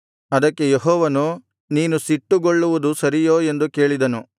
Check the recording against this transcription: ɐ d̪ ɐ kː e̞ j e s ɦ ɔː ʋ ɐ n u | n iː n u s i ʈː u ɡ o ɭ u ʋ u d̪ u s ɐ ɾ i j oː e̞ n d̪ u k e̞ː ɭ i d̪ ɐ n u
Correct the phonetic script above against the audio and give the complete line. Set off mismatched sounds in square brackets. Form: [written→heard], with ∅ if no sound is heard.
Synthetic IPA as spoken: ɐ d̪ ɐ kː e̞ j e [s→∅] ɦ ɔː ʋ ɐ n u | n iː n u s i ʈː u ɡ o [ɭ→ɭː] u ʋ u d̪ u s ɐ ɾ i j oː e̞ n d̪ u k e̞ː ɭ i d̪ ɐ n u